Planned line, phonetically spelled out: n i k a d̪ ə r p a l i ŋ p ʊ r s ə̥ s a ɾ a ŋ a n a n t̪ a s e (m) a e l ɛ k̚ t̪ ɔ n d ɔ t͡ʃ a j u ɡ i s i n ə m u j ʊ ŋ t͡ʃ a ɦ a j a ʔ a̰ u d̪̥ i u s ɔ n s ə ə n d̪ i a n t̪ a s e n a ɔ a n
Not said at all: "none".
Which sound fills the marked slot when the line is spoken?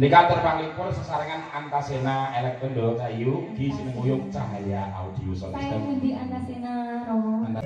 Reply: n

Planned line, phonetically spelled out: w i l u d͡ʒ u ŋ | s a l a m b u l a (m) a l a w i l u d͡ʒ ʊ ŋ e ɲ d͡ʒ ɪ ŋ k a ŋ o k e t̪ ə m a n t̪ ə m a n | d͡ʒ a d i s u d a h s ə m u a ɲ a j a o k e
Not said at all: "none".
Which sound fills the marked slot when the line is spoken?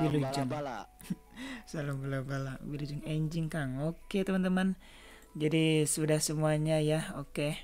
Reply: b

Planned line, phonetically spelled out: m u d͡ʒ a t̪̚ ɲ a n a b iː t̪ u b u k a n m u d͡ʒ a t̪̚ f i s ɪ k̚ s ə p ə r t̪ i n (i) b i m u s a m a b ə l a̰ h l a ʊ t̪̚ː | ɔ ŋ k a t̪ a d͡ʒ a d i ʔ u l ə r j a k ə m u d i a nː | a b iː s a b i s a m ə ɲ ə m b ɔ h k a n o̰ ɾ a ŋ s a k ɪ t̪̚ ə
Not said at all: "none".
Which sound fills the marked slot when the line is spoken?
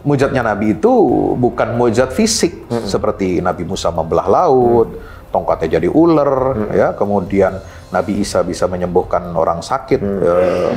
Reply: a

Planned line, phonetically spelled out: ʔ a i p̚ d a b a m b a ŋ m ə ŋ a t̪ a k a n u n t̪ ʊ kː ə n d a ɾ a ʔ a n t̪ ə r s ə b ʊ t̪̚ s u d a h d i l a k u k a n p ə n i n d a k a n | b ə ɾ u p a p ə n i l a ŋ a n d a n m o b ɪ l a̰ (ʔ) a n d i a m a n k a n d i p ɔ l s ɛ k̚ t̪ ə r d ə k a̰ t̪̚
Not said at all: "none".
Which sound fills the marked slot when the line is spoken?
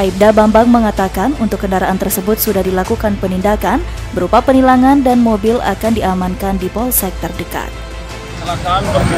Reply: k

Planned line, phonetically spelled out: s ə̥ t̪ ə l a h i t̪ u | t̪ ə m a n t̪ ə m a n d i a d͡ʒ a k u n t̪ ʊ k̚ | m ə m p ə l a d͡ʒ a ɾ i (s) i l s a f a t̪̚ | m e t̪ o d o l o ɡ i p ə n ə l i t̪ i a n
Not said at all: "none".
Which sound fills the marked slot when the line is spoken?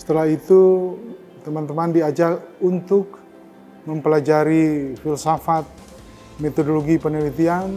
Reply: f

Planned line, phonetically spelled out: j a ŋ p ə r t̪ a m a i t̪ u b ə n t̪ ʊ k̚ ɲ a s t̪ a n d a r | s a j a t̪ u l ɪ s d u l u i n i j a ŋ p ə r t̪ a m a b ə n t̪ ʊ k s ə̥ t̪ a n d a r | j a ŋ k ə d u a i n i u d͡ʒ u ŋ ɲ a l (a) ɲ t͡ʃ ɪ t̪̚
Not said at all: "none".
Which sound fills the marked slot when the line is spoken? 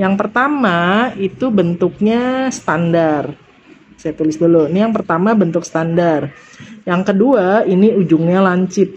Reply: a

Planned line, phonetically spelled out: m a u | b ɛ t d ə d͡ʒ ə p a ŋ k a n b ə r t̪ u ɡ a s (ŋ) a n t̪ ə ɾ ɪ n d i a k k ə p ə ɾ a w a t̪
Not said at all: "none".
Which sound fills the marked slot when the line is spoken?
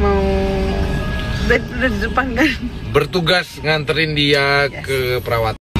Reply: ŋ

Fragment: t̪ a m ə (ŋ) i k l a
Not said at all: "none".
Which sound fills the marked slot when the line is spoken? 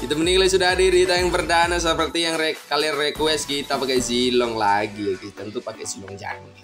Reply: n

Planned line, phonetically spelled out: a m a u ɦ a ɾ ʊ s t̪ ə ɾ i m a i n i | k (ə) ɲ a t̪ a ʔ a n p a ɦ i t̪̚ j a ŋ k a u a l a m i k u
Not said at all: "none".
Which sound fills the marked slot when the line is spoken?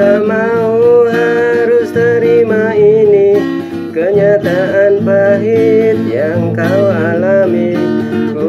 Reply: ə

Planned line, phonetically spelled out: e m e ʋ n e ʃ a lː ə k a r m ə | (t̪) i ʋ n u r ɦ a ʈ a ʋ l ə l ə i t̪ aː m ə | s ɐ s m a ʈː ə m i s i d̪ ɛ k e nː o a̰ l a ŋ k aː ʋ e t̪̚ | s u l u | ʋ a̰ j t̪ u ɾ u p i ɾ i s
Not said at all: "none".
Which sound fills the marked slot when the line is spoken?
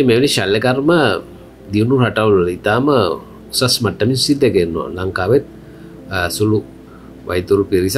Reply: d̪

